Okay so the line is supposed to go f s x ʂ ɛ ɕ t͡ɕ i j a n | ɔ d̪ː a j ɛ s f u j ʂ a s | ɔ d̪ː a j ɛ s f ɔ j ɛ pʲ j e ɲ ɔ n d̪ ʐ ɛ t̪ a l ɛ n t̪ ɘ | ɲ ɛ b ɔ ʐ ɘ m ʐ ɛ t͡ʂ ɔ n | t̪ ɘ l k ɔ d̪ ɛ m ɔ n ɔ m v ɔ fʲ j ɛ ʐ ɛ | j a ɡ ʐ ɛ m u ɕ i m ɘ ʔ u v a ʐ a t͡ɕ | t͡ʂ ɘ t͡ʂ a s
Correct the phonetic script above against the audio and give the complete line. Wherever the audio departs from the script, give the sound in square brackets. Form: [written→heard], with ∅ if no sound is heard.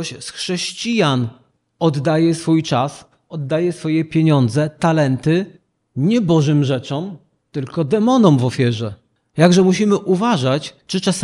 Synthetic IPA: [f→ɕ] s x ʂ ɛ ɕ t͡ɕ i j a n | ɔ d̪ː a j ɛ s f u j [ʂ→t͡ʂ] a s | ɔ d̪ː a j ɛ s f ɔ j ɛ pʲ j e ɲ ɔ n d̪ [ʐ→z] ɛ t̪ a l ɛ n t̪ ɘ | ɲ ɛ b ɔ ʐ ɘ m ʐ ɛ t͡ʂ ɔ [n→m] | t̪ ɘ l k ɔ d̪ ɛ m ɔ n ɔ m v ɔ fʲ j ɛ ʐ ɛ | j a ɡ ʐ ɛ m u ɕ i m ɘ ʔ u v a ʐ a t͡ɕ | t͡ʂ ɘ t͡ʂ a s